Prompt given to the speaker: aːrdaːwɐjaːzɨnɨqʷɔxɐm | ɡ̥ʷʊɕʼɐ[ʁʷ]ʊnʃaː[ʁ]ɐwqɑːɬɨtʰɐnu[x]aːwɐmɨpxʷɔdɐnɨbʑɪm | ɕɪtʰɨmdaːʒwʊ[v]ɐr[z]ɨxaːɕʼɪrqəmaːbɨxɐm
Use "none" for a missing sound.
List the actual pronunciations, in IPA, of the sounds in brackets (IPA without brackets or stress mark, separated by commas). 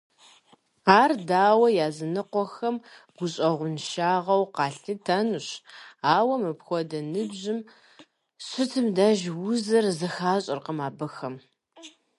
ʁʷ, ʁ, ɕ, z, z